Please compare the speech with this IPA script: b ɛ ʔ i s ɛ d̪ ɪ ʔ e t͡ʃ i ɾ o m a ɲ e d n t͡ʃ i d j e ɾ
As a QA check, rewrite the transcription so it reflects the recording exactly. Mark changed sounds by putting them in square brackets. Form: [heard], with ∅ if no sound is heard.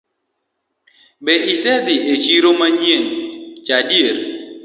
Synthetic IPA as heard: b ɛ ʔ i s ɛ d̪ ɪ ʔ e t͡ʃ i ɾ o m a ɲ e [∅] n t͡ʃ [a] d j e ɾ